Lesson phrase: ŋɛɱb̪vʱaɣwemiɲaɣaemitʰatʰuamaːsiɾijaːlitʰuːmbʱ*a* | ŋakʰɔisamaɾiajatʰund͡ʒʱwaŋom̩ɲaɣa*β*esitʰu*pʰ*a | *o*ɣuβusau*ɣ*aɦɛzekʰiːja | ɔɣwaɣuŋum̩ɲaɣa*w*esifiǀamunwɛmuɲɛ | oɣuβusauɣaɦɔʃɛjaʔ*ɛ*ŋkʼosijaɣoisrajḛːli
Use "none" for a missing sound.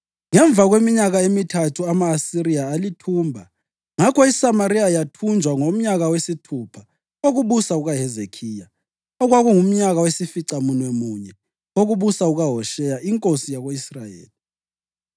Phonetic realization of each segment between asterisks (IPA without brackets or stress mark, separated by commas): a, w, pʰ, o, ɣ, w, i